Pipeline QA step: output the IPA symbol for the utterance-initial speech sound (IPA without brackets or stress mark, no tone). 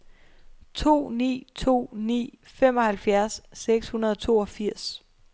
t͡sʰ